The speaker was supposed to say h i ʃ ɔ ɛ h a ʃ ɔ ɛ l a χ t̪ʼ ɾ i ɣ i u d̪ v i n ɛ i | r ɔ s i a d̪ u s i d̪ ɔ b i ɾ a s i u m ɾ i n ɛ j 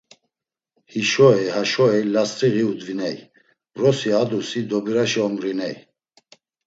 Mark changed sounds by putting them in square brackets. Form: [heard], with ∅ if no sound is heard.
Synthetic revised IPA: h i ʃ ɔ ɛ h a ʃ ɔ ɛ l a [s] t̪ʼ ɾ i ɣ i u d̪ v i n ɛ [j] | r ɔ s i a d̪ u s i d̪ ɔ b i ɾ a [ʃ] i [ɔ] m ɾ i n ɛ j